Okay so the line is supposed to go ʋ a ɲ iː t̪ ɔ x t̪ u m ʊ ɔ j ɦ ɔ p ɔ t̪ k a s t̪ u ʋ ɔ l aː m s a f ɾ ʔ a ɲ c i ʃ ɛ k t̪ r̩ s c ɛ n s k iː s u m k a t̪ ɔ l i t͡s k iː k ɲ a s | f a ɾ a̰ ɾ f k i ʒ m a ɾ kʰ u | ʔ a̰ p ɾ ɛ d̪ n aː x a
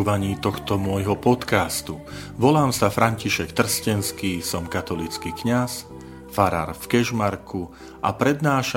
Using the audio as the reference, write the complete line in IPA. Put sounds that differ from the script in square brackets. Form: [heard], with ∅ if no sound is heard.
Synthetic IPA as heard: ʋ a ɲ iː t̪ ɔ x t̪ [ɔ] m ʊ ɔ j ɦ ɔ p ɔ t̪ k a s t̪ u ʋ ɔ l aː m s a f ɾ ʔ a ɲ c i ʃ ɛ k t̪ r̩ s c ɛ n s k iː s [ɔ] m k a t̪ ɔ l i t͡s k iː k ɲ a s | f a ɾ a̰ ɾ f k [ɛ] ʒ m a ɾ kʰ u | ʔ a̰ p ɾ ɛ d̪ n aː [ʃ] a